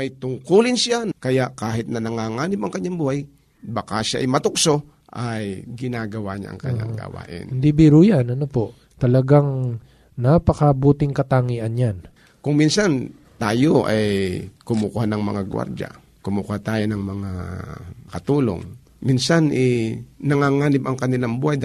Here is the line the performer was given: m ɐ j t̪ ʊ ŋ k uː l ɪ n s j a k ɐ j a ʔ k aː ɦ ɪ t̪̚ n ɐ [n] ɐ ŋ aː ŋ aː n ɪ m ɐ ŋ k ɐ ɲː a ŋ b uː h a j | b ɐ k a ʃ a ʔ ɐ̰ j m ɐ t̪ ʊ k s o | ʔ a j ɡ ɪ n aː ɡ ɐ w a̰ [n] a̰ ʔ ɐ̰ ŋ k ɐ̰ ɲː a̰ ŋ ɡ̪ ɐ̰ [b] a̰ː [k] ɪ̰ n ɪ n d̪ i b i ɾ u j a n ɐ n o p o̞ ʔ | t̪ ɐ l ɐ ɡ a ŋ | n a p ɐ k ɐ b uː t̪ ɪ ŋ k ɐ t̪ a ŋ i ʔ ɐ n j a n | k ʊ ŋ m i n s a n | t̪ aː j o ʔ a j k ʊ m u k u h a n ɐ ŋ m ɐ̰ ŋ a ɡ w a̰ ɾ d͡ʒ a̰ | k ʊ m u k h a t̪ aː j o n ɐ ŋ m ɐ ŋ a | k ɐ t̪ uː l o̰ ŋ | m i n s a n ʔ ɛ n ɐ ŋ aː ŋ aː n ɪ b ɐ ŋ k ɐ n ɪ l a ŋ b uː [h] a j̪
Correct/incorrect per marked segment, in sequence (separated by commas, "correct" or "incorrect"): correct, incorrect, incorrect, incorrect, correct